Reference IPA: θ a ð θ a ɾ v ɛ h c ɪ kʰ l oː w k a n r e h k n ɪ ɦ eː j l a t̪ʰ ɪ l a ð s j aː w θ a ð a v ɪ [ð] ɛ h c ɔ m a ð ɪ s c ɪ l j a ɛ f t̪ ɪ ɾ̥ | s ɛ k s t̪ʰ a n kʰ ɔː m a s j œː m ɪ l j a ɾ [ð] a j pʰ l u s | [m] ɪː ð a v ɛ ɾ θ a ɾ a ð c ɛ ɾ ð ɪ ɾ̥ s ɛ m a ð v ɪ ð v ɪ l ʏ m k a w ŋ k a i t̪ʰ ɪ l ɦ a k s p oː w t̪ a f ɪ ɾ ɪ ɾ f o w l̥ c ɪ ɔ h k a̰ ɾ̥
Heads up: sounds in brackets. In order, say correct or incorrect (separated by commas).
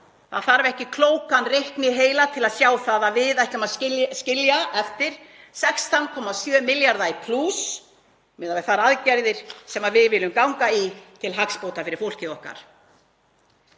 correct, correct, correct